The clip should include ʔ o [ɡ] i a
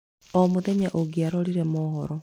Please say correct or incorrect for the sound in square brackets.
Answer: correct